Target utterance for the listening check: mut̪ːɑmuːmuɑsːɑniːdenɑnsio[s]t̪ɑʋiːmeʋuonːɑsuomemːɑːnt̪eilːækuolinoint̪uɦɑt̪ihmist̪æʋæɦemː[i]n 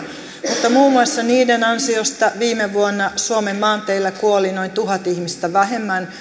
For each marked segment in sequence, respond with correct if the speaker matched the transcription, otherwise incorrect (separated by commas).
correct, incorrect